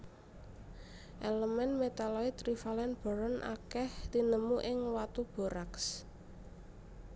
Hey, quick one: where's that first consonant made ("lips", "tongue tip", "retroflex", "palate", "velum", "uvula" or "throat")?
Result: throat